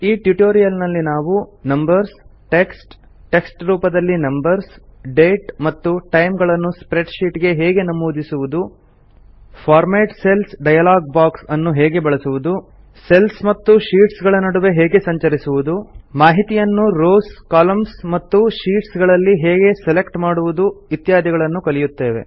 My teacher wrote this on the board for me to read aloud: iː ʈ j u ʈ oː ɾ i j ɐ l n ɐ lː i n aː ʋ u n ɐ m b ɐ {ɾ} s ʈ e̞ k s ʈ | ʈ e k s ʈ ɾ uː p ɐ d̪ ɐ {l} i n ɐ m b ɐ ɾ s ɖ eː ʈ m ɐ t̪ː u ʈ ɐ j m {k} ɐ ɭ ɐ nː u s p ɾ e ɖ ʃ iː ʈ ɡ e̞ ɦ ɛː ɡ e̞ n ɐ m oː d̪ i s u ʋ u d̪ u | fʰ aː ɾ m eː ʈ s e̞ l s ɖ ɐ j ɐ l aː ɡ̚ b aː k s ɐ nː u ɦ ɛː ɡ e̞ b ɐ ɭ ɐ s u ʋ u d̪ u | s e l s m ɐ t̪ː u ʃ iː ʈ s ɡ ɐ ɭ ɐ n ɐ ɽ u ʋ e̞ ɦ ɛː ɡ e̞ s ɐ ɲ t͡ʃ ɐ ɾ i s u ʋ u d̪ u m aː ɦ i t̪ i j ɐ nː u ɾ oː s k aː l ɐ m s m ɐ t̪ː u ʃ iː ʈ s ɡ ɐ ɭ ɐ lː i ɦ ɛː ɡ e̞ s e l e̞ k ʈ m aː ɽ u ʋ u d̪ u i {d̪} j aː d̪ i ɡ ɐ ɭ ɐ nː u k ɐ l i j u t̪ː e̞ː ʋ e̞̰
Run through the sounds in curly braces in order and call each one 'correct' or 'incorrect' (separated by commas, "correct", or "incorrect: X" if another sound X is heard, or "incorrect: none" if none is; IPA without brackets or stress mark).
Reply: correct, incorrect: lː, incorrect: ɡ, incorrect: t̪